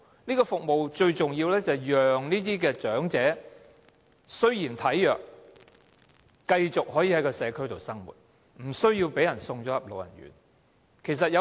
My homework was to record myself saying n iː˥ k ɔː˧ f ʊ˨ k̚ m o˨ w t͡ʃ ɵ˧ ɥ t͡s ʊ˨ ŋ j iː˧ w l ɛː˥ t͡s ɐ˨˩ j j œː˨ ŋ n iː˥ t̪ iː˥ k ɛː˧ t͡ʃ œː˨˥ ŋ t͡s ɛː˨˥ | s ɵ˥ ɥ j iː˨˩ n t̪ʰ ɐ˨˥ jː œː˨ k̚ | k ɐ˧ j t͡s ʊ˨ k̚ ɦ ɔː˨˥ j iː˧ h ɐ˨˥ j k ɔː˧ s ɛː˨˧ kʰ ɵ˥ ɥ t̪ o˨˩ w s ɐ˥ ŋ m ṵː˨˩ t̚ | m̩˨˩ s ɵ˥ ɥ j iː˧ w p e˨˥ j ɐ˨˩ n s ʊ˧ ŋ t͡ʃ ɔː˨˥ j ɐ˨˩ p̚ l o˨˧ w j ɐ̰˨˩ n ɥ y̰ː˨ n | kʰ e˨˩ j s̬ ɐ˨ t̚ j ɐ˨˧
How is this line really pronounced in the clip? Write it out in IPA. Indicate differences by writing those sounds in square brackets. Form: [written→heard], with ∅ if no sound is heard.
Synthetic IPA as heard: n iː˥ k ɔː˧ f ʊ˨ k̚ m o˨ w t͡ʃ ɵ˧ ɥ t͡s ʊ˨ ŋ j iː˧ w l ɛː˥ t͡s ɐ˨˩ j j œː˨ ŋ n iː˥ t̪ iː˥ k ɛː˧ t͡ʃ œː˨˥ ŋ t͡s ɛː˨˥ | s ɵ˥ ɥ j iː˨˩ n t̪ʰ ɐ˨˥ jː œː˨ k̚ | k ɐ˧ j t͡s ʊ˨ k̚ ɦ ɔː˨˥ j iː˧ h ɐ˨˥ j k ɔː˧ s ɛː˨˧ kʰ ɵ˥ ɥ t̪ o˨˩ w s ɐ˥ ŋ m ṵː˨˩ t̚ | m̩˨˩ s ɵ˥ ɥ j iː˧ w p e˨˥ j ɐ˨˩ n s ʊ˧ ŋ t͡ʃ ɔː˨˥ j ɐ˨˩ p̚ l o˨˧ w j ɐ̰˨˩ n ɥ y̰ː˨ n | kʰ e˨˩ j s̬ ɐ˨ t̚ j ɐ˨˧